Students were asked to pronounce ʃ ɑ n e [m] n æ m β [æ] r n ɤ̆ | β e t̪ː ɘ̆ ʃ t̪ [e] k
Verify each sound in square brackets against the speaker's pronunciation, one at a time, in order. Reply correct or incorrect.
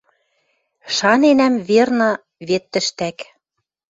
incorrect: none, incorrect: e, incorrect: æ

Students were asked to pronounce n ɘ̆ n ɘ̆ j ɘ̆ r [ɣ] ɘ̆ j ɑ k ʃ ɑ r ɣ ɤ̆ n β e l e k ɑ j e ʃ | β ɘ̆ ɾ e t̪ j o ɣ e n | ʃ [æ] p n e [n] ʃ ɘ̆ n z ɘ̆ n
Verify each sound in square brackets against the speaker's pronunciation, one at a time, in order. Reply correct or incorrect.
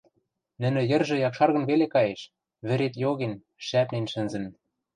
incorrect: ʒ, correct, correct

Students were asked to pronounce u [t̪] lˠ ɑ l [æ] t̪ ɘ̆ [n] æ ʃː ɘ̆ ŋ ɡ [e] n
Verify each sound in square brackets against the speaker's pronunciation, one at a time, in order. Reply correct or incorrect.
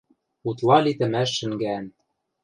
correct, incorrect: i, incorrect: m, incorrect: æ

